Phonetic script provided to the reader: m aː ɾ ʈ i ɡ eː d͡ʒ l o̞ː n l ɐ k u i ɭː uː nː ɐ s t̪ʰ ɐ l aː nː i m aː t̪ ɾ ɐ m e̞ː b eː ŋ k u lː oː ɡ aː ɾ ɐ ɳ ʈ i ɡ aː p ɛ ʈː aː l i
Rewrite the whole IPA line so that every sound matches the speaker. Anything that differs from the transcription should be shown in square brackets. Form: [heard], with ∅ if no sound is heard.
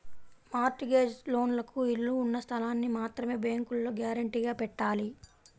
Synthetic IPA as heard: m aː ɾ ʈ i ɡ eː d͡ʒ l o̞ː n l ɐ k u i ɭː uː nː ɐ s t̪ʰ ɐ l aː nː i m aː t̪ ɾ ɐ m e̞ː b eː ŋ k u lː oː ɡ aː ɾ ɐ ɳ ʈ i ɡ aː p ɛ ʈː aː l i